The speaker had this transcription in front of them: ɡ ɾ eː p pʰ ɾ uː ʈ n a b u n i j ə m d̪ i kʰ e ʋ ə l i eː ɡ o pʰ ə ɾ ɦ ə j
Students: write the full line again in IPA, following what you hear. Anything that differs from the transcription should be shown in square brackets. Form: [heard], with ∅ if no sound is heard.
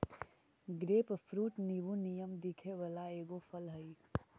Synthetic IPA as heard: ɡ ɾ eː p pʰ ɾ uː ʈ n [i] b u n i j ə m d̪ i kʰ e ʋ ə l [a] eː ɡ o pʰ ə [l] ɦ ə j